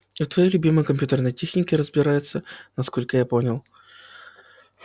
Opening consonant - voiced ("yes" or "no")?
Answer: no